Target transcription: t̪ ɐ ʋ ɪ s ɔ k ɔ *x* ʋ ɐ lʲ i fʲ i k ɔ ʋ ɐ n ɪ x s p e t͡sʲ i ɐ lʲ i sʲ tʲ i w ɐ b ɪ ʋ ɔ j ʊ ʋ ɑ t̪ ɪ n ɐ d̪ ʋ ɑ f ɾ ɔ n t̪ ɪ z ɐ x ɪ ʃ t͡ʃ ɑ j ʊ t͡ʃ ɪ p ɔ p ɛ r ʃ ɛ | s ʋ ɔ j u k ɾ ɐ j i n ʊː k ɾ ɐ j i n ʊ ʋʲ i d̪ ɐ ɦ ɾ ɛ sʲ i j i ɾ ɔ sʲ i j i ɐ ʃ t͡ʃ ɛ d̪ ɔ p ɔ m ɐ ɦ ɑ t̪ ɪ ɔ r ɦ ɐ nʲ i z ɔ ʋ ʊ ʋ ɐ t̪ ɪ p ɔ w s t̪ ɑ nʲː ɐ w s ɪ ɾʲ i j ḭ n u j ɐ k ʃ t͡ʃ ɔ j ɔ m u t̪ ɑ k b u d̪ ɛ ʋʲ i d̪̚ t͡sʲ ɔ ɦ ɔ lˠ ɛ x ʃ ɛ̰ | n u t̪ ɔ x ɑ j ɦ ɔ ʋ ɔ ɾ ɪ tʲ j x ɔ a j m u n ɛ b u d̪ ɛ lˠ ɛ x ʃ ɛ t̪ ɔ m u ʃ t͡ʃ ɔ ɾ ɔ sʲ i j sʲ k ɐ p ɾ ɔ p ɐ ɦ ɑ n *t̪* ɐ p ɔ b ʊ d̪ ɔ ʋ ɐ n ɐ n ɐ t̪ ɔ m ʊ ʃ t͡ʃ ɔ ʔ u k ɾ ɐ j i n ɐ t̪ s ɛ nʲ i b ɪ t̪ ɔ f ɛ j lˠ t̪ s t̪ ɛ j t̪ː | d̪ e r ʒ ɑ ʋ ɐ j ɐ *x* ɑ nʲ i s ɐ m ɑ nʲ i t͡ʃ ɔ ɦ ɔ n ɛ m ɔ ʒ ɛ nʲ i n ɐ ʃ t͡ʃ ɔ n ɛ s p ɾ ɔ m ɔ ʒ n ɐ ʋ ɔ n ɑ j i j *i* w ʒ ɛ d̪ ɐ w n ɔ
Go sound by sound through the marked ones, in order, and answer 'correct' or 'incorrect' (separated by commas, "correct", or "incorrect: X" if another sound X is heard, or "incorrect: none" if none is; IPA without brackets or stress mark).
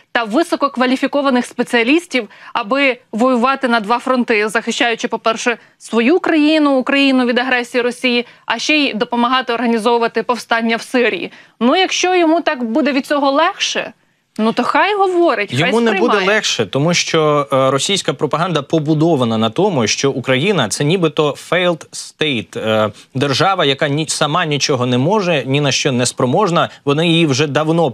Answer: incorrect: k, incorrect: d̪, incorrect: k, correct